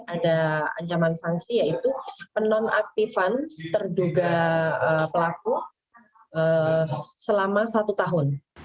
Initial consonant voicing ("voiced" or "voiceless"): voiced